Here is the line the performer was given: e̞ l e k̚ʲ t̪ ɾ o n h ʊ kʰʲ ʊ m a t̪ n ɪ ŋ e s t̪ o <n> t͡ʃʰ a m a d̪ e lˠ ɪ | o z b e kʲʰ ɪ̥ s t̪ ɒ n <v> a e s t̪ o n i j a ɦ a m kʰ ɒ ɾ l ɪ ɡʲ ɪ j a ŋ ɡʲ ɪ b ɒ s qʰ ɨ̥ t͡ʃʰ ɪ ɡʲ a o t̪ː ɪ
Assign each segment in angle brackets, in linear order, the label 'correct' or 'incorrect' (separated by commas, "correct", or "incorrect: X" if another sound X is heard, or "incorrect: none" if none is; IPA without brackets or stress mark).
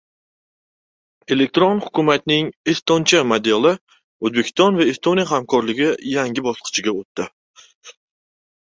correct, correct